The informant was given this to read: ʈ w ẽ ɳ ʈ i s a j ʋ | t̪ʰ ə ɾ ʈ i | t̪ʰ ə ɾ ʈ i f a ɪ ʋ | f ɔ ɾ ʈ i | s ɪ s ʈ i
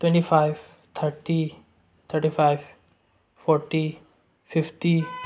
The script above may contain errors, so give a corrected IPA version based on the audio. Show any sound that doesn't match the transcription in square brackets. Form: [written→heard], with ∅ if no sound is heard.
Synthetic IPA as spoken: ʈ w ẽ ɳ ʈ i [s→f] a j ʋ | t̪ʰ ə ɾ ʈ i | t̪ʰ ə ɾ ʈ i f a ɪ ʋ | f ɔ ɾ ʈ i | [s→f] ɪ [s→f] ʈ i